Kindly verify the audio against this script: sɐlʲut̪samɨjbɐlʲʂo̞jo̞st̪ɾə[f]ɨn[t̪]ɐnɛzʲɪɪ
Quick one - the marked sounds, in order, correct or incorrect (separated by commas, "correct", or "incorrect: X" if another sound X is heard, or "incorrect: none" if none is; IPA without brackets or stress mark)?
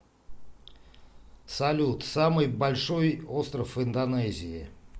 correct, incorrect: d̪